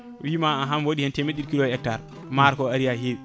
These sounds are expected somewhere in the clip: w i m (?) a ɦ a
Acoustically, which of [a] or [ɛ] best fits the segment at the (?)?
a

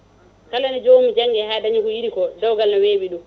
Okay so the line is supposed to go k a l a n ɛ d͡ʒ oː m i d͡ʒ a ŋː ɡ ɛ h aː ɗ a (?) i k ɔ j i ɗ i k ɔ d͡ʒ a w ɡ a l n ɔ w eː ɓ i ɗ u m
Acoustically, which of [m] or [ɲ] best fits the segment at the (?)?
ɲ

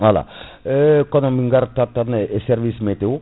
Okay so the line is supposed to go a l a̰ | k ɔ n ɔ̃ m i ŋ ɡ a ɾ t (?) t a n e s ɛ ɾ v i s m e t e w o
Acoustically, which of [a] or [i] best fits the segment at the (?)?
a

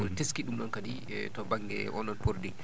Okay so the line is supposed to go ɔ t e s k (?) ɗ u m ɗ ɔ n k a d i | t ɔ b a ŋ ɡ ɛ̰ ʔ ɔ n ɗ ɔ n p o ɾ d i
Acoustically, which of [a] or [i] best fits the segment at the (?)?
i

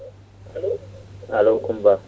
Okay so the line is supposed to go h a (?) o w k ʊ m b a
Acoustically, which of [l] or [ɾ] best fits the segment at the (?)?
l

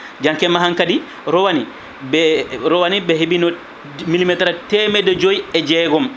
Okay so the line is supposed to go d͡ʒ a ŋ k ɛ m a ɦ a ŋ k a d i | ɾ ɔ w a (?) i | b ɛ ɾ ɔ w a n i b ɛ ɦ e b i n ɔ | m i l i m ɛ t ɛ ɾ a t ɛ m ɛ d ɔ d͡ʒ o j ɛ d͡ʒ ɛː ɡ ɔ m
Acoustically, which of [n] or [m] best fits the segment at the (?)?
n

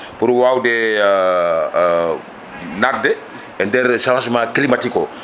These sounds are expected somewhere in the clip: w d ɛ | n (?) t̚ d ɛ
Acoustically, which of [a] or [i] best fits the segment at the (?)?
a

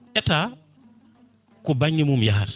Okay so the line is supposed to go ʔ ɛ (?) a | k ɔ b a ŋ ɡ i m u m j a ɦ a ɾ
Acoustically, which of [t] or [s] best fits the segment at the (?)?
t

